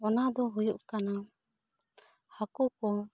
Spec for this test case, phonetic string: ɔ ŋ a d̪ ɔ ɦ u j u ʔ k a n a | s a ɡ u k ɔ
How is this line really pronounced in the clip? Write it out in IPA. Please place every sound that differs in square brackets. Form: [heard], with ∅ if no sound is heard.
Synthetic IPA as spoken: ɔ [n] a d̪ ɔ ɦ u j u ʔ k a n a | [h] a [k] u k ɔ